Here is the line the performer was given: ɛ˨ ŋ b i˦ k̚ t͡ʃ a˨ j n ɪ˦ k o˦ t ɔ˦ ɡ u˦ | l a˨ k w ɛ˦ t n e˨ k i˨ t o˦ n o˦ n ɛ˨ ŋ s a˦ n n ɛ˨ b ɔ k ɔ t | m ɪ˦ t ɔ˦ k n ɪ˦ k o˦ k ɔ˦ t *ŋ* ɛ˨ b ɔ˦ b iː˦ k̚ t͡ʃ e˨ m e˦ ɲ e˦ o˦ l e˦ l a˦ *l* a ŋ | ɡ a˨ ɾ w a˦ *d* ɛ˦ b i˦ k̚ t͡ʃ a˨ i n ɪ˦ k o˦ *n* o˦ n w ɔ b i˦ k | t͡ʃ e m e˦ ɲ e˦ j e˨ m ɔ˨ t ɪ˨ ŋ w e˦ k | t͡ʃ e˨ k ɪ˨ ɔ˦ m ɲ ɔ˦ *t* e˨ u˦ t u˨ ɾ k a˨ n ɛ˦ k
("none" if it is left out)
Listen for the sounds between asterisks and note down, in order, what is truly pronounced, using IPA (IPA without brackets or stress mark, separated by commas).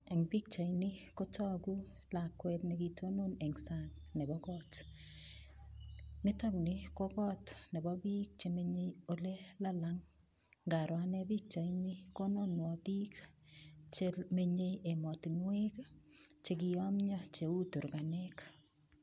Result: n, l, n, n, t͡ʃ